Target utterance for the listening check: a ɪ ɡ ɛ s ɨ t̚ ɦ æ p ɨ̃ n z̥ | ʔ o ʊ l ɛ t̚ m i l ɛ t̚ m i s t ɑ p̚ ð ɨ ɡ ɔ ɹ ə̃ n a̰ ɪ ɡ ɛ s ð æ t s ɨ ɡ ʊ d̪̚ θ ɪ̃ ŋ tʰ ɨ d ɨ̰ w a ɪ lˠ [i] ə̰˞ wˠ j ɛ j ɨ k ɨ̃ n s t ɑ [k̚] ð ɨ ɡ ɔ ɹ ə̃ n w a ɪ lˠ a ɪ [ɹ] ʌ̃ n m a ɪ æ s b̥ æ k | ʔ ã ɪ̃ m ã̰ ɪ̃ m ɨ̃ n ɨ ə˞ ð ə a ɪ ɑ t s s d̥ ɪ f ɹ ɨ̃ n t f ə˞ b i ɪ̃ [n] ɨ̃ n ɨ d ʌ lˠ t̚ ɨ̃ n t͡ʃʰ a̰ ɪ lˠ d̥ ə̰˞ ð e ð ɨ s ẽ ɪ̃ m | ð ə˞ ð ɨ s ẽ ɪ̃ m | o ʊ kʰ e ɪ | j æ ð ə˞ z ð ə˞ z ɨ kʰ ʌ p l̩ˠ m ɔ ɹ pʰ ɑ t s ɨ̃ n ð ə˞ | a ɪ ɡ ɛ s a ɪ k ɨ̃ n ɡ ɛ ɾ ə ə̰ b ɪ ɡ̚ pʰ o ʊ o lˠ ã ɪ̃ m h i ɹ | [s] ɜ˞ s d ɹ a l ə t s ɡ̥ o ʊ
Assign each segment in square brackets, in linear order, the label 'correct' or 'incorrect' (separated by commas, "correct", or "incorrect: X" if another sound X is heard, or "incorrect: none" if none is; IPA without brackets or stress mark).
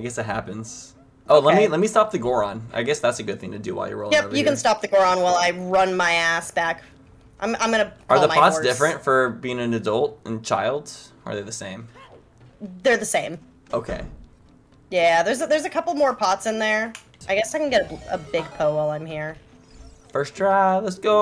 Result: incorrect: j, incorrect: p̚, correct, incorrect: ŋ, incorrect: f